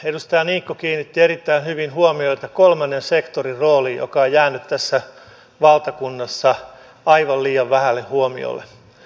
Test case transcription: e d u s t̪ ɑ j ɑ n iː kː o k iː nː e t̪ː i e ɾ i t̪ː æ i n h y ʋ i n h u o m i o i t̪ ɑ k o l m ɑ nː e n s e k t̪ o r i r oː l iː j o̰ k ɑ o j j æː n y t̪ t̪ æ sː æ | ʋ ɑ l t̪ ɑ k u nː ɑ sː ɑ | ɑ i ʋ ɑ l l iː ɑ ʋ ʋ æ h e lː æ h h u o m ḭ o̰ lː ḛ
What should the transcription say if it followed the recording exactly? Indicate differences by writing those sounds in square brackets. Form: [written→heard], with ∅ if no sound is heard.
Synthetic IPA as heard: e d u s t̪ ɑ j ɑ n iː kː o k iː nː [e→i] t̪ː i e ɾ i t̪ː æ i n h y ʋ i n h u o m i o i t̪ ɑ k o l m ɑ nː e n s e k t̪ o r i r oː l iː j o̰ k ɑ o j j æː n y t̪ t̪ æ sː æ | ʋ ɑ l t̪ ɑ k u nː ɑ sː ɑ | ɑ i ʋ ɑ l l iː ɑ ʋ ʋ æ h [e→æ] lː [æ→e] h h u o m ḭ o̰ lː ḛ